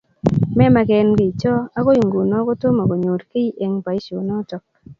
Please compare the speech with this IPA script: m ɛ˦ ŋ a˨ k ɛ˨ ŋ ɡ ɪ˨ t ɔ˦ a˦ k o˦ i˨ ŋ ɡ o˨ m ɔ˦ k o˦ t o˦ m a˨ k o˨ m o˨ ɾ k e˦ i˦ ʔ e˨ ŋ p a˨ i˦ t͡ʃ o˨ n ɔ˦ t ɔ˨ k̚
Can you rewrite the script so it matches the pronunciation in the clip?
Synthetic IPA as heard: m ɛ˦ m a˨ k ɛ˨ n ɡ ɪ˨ t͡ʃ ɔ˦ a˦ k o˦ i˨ ŋ ɡ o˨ n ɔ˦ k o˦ t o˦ m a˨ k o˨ ɲ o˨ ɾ k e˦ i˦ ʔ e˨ ŋ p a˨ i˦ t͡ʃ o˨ n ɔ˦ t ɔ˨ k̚